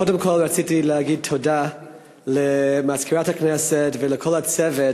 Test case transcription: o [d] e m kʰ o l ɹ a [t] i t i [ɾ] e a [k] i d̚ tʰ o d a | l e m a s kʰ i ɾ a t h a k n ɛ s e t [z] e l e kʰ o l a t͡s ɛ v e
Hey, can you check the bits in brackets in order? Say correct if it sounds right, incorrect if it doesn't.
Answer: correct, incorrect: t͡s, incorrect: l, incorrect: ɡ, incorrect: v

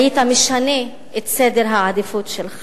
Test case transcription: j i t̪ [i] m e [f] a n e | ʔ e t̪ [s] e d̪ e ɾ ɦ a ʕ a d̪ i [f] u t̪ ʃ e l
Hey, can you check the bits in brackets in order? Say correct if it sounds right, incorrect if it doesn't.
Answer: incorrect: a, incorrect: ʃ, correct, correct

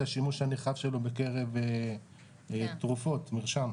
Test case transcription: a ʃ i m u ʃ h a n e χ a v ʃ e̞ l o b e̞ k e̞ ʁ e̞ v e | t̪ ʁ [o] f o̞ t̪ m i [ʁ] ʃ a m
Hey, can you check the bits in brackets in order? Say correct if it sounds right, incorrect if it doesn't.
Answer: incorrect: u, correct

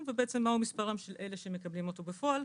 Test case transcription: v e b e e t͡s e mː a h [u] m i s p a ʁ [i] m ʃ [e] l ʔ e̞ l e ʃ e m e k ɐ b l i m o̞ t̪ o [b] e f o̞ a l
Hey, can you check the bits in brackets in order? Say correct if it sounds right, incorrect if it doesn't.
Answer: correct, incorrect: a, correct, correct

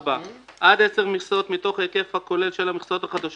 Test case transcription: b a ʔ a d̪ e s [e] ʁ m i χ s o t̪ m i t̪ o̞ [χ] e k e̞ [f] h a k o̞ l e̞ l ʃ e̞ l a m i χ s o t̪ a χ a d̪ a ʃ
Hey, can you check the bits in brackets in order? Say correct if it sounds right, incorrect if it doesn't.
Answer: correct, correct, correct

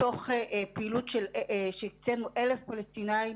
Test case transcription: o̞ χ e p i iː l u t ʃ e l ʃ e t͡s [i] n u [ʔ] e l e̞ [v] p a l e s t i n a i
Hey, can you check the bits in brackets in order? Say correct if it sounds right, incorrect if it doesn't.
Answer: incorrect: e, correct, incorrect: f

